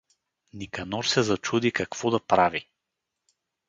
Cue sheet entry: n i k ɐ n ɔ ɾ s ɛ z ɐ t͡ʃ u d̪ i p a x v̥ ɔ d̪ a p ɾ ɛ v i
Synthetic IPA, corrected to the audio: n i k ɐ n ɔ ɾ s ɛ z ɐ t͡ʃ u d̪ i k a k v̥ ɔ d̪ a p ɾ a v i